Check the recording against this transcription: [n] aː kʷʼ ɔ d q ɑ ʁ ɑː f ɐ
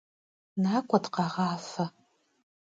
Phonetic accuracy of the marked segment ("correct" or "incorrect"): correct